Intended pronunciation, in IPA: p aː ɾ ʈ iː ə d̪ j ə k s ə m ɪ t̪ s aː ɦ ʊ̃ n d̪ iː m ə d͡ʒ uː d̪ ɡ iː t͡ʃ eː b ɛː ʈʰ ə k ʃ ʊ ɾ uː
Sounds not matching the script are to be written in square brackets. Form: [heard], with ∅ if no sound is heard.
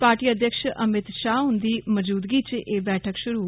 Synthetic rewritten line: p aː ɾ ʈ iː ə d̪ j ə k [ʃ] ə m ɪ t̪ [ʃ] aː ɦ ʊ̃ n d̪ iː m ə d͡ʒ uː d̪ ɡ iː t͡ʃ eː b ɛː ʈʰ ə k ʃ ʊ ɾ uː